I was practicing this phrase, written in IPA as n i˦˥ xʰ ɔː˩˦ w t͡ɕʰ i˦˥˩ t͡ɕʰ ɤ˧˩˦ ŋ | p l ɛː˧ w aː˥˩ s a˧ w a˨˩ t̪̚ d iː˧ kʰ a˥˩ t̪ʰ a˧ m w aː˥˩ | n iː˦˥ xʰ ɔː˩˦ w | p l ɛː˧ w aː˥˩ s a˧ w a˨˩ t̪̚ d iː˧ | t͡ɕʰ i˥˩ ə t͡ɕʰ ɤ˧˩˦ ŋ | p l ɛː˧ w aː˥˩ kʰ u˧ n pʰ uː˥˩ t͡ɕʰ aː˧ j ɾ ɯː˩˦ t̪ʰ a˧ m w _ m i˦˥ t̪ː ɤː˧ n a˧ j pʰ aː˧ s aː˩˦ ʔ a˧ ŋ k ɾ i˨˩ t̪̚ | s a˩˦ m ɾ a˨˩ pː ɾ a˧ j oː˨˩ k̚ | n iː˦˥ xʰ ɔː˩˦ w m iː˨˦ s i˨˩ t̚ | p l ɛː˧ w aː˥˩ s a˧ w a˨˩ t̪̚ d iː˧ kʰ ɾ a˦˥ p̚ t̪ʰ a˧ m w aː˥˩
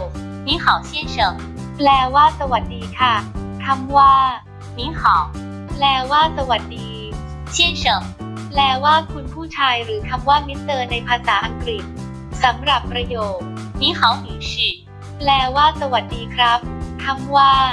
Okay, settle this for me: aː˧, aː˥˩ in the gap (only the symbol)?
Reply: aː˥˩